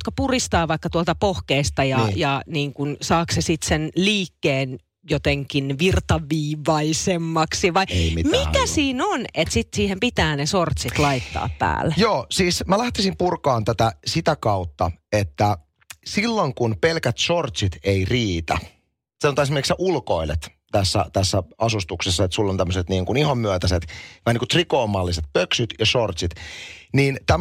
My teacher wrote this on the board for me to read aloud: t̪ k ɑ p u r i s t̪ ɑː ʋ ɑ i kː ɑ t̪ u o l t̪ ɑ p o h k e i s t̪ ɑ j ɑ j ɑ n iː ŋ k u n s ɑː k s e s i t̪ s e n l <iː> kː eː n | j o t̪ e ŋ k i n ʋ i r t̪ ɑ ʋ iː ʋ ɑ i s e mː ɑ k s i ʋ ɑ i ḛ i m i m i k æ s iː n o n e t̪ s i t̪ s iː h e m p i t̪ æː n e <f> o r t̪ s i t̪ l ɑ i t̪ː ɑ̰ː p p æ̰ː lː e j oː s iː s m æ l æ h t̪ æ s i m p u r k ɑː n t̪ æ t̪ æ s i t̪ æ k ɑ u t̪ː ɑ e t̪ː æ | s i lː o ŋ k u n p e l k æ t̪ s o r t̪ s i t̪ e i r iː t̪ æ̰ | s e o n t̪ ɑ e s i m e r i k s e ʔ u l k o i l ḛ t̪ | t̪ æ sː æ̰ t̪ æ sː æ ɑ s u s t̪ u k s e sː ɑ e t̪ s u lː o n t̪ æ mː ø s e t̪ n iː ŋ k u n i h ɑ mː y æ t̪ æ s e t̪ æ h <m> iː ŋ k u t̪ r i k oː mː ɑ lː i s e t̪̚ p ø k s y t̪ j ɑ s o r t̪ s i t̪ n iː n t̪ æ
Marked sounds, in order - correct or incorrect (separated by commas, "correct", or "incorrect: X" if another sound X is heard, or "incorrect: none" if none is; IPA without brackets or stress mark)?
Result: correct, incorrect: s, incorrect: n